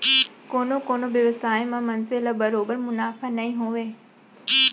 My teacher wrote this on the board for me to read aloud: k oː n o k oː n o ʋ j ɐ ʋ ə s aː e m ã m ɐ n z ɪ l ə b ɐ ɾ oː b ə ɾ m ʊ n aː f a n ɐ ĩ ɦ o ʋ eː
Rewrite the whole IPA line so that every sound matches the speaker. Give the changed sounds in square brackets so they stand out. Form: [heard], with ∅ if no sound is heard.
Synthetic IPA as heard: k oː n o k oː n o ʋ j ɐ ʋ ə s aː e m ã m ɐ n z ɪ l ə b ɐ ɾ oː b ə ɾ m ʊ n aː f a n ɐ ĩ ɦ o ʋ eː